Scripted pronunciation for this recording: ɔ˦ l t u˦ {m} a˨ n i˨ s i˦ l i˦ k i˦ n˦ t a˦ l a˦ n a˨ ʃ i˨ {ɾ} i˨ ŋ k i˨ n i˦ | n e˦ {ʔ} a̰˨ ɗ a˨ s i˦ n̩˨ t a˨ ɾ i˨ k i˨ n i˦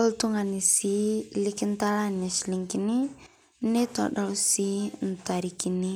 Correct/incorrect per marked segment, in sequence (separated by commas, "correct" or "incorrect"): incorrect, incorrect, incorrect